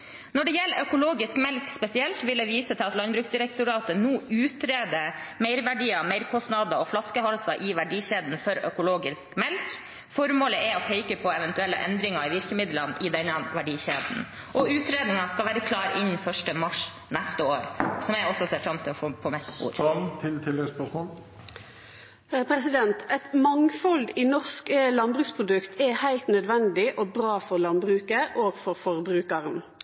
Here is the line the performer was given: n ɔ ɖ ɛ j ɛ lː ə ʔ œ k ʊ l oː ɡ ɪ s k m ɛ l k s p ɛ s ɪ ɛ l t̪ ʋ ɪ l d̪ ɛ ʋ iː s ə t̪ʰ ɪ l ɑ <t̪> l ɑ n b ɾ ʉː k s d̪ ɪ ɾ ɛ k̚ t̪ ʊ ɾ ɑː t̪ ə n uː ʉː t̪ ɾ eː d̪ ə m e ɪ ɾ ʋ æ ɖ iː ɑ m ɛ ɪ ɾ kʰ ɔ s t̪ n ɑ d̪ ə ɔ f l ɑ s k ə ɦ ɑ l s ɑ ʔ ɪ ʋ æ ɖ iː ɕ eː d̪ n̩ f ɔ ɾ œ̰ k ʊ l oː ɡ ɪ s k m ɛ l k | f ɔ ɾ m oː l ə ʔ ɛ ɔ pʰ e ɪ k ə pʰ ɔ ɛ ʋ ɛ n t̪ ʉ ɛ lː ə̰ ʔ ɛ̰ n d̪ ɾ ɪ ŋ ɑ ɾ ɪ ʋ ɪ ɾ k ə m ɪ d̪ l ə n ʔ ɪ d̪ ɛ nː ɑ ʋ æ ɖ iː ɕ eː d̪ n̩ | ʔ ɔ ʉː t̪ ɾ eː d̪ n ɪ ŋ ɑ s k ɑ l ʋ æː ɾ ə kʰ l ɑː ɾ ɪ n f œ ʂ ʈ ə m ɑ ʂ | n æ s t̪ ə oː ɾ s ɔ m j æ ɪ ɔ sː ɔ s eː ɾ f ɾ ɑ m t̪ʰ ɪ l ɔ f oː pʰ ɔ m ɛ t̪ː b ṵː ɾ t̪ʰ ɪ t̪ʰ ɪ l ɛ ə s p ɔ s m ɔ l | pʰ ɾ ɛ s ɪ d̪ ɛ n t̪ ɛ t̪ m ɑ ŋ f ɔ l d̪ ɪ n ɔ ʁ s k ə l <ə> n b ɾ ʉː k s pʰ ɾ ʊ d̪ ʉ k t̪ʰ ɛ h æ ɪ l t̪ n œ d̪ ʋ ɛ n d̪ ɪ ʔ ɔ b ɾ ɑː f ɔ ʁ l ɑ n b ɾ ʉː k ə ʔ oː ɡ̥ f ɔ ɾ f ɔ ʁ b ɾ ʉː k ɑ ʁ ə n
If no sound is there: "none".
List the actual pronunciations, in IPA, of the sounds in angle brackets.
t̪, ɑ

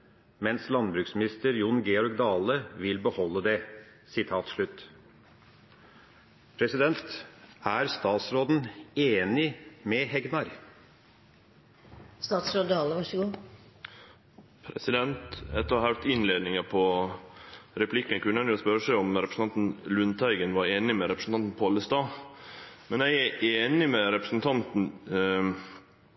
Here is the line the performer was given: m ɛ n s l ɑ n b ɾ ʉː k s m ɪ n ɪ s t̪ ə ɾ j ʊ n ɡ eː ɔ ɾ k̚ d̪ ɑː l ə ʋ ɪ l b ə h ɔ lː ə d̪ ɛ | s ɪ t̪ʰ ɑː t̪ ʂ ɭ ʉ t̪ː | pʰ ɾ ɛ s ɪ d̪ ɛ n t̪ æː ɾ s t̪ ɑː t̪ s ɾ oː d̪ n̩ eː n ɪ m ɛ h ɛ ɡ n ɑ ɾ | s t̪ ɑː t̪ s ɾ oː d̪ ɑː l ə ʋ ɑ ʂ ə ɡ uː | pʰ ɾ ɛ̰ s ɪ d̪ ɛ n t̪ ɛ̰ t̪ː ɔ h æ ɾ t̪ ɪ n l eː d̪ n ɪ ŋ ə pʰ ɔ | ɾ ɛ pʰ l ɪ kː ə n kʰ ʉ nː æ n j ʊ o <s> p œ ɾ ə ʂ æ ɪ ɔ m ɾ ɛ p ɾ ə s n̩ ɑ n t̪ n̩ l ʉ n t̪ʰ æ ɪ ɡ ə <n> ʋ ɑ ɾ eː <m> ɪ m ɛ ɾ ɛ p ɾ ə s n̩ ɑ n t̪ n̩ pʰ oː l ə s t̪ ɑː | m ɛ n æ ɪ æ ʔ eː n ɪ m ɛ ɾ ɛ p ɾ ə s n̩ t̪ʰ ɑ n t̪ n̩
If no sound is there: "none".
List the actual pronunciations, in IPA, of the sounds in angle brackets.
s, n, n

